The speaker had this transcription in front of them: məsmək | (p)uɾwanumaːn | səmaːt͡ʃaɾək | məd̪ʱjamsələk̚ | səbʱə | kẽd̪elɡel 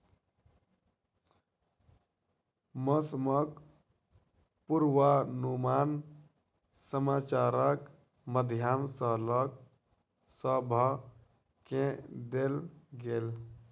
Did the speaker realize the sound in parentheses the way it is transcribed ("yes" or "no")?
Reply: yes